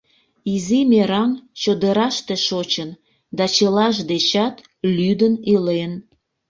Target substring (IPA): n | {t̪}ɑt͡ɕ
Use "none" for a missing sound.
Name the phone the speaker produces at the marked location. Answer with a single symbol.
d̪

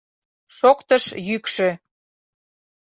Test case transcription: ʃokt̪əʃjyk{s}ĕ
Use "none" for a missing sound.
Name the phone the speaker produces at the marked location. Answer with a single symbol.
ʃ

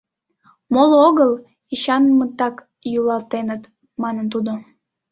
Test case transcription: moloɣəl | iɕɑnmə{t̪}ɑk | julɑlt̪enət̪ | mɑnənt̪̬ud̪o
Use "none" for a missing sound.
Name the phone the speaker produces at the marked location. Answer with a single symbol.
t̪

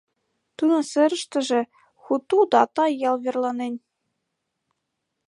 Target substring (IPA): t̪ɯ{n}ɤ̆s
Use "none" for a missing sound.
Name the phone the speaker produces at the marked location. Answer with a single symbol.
n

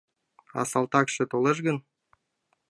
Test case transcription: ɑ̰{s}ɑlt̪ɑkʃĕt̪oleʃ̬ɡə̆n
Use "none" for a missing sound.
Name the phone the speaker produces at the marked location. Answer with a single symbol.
s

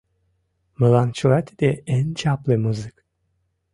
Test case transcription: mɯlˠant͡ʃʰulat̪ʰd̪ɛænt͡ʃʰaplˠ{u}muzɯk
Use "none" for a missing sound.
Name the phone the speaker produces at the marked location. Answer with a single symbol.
ɯ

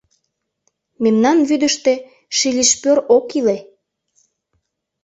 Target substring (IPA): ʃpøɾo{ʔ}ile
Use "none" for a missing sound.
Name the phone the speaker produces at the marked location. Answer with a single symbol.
k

